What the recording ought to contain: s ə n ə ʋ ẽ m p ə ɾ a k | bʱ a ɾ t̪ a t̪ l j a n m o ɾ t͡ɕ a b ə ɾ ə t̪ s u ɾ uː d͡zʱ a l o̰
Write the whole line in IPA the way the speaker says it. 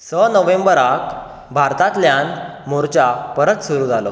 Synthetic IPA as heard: s ə n ə ʋ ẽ m b ə ɾ a k | bʱ a ɾ t̪ a t̪ l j a n m o ɾ t͡ɕ a p ə ɾ ə t̪ s u ɾ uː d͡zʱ a l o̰